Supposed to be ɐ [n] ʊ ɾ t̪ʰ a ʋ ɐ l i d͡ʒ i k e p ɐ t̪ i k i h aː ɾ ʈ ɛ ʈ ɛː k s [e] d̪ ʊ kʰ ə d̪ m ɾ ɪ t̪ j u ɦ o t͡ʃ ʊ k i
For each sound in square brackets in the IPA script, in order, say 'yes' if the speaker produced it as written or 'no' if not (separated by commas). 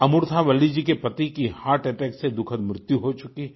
no, yes